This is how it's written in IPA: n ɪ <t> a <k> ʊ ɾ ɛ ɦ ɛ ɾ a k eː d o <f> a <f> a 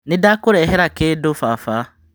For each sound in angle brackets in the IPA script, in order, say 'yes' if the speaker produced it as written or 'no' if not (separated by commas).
no, yes, yes, yes